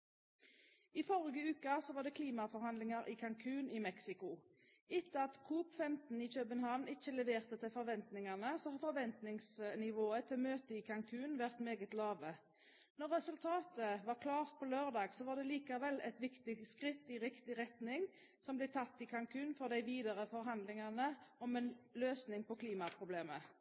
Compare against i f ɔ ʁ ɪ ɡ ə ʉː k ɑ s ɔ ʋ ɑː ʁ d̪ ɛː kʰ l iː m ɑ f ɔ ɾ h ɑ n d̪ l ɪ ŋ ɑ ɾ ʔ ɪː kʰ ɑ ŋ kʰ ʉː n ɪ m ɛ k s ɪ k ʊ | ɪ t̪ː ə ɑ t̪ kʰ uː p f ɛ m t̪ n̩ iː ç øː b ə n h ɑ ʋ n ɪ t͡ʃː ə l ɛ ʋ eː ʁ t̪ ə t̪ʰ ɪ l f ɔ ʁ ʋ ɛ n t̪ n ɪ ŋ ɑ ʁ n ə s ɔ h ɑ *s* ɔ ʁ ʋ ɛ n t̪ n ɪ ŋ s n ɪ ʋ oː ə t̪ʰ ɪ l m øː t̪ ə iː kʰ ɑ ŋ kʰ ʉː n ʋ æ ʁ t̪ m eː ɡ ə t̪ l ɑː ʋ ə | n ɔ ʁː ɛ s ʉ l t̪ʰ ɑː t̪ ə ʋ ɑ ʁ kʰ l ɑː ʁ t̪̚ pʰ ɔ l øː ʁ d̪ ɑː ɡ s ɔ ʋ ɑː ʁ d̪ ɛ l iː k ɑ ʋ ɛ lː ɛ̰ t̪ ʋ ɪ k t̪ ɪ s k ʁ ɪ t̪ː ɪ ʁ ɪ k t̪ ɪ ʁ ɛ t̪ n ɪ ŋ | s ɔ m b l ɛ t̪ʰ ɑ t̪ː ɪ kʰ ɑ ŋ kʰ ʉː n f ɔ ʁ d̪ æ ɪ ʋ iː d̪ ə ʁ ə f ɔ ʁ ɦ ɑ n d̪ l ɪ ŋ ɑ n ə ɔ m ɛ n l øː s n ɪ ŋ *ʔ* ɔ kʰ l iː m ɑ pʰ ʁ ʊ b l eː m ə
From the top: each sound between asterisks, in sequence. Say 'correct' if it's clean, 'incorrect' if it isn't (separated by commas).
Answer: incorrect, incorrect